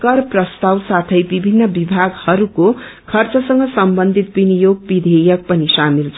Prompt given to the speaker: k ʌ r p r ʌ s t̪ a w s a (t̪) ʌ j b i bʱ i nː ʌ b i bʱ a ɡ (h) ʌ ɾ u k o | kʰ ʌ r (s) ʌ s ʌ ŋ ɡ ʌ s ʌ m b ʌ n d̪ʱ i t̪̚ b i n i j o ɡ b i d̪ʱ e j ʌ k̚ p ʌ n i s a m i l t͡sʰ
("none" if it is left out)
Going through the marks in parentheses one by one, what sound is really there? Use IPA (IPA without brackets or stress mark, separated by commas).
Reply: t̪ʰ, h, t͡s